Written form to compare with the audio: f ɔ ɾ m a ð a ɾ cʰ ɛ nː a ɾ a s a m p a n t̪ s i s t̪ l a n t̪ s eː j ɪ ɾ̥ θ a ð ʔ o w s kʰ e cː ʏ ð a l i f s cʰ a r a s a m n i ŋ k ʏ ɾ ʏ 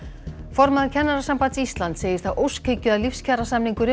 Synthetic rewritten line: f ɔ ɾ m a ð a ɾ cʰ ɛ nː a ɾ a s a m p a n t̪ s i s t̪ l a n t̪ s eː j ɪ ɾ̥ θ a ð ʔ o w s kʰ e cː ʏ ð a l i f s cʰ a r a s a m n i ŋ k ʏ ɾ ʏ